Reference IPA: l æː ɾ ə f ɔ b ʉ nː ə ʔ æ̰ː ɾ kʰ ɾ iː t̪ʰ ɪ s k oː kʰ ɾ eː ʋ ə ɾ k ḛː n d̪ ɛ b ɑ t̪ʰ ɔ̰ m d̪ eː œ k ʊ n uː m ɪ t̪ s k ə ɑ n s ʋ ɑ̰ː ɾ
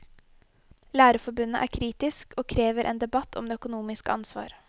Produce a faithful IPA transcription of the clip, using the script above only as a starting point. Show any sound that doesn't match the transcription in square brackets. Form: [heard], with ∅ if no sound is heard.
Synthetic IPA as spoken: l æː ɾ ə f ɔ b ʉ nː ə ʔ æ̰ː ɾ kʰ ɾ iː [t̪] ɪ s k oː kʰ ɾ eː ʋ ə ɾ [ʔ] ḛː n d̪ ɛ b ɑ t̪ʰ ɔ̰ m d̪ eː œ k ʊ n uː m ɪ [∅] s k ə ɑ n s ʋ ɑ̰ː ɾ